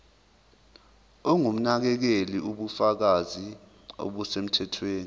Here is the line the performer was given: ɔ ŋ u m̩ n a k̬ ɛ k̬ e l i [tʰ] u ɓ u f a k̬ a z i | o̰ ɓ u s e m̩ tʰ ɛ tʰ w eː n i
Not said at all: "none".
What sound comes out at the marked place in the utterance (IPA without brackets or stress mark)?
none